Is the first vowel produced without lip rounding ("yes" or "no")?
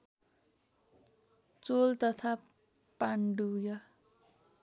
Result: no